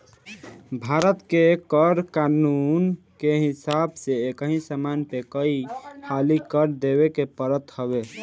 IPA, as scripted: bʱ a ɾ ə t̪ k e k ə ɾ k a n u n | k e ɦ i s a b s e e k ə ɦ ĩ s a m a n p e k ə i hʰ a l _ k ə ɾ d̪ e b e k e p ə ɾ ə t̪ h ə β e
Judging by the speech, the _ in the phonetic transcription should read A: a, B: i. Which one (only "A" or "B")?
B